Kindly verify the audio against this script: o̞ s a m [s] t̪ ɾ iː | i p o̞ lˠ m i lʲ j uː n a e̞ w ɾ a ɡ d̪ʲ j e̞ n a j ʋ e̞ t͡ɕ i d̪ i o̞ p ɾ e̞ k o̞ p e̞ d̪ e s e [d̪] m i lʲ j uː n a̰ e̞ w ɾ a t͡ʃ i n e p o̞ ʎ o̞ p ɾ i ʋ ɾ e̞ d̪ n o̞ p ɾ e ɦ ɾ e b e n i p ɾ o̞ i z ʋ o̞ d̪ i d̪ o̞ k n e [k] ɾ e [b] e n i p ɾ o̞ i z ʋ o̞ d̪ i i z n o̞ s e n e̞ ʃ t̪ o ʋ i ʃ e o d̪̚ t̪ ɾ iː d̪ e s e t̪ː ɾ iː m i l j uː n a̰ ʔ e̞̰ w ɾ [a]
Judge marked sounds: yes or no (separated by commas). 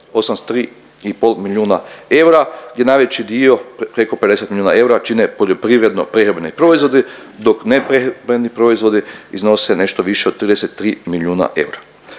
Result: yes, no, no, yes, yes